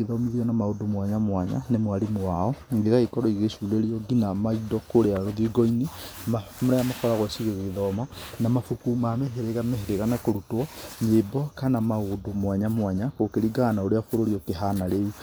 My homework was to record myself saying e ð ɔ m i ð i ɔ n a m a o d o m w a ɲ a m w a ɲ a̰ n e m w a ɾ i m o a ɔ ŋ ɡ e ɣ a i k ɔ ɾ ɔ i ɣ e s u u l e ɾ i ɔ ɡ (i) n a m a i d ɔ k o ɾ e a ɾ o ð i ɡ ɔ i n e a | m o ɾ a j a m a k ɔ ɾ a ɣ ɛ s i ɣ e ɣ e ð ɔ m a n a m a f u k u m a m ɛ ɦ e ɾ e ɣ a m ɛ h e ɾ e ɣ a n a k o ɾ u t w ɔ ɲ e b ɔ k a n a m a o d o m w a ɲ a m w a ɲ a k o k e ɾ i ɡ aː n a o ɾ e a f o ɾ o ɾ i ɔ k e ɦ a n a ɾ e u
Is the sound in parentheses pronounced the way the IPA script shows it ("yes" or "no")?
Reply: yes